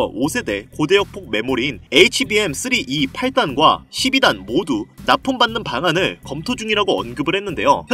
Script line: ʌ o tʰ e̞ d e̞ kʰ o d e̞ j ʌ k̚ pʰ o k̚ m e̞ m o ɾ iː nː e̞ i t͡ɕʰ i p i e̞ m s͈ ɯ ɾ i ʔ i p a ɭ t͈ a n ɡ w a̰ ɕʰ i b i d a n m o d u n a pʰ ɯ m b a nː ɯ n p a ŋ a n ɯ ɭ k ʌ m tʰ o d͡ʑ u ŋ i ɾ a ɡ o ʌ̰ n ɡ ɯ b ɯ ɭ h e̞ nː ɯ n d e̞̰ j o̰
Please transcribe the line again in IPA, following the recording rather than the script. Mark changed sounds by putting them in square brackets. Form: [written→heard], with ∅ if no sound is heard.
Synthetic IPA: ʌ o [tʰ→sʰ] e̞ d e̞ [kʰ→k] o d e̞ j ʌ k̚ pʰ o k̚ m e̞ m o ɾ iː [nː→n] e̞ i t͡ɕʰ i [p→b] i e̞ m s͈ ɯ ɾ i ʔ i [p→pʰ] a ɭ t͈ a n ɡ w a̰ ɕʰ i b i d a n m o d u n a pʰ ɯ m b a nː ɯ n p a ŋ a n ɯ ɭ k ʌ m tʰ o d͡ʑ u ŋ i ɾ a ɡ o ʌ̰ n ɡ ɯ b ɯ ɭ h e̞ nː ɯ n d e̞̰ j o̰